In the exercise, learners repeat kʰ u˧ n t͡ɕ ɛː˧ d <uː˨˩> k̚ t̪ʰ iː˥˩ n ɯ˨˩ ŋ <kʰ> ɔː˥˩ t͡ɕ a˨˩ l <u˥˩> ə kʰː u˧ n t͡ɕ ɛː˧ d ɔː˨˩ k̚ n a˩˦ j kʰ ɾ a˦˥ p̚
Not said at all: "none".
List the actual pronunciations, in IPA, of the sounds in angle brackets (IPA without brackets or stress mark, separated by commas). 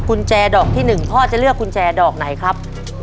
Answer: ɔː˨˩, pʰ, ɯ˥˩